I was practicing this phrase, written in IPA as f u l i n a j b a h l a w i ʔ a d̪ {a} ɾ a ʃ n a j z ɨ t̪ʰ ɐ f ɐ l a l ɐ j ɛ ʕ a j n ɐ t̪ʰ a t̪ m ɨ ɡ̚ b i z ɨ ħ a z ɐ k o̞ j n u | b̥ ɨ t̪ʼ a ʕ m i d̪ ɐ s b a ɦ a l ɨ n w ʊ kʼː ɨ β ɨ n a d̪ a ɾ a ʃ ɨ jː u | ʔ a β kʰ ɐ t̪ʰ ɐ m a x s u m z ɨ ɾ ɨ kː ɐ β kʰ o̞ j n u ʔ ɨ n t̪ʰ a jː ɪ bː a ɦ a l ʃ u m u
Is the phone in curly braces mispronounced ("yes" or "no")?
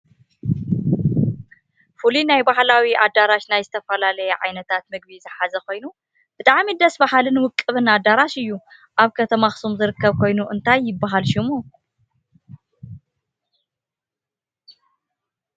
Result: no